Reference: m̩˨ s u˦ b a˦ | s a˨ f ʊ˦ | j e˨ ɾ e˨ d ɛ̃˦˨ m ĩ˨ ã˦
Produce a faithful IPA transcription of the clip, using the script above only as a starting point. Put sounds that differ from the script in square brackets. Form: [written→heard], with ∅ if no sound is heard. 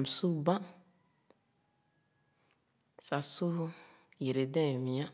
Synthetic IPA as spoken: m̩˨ s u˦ b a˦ | s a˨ [f→s] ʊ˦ | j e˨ ɾ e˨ d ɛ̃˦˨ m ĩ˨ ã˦